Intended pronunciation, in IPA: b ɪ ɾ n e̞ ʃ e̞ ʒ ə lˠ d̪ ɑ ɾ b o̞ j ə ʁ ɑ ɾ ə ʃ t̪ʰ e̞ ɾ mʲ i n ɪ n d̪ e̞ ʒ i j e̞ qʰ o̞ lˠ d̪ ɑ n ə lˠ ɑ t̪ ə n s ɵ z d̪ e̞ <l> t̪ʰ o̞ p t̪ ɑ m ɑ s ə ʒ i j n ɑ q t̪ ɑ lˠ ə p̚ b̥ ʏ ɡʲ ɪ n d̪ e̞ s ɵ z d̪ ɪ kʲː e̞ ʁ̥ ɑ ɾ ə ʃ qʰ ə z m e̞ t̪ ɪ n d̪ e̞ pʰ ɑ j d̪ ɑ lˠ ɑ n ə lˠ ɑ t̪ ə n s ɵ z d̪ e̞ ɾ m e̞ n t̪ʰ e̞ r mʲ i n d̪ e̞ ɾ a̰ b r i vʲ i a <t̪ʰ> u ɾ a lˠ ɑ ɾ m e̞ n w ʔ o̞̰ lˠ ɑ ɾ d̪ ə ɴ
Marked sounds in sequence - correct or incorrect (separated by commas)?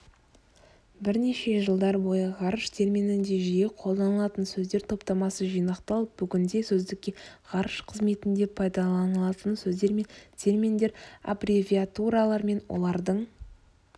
incorrect, incorrect